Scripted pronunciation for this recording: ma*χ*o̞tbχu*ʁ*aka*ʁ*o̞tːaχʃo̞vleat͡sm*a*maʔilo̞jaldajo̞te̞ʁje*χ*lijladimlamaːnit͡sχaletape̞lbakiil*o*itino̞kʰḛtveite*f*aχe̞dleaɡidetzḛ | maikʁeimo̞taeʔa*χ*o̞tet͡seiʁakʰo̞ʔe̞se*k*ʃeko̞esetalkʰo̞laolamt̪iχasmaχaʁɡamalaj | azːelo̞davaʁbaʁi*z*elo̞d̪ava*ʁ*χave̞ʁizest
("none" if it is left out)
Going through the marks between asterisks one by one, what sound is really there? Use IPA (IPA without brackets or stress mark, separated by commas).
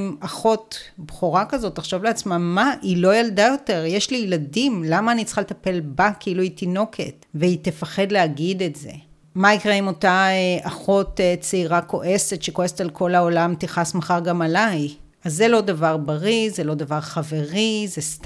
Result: χ, ʁ, z, a, ʃ, u, f, χ, t, z, ʁ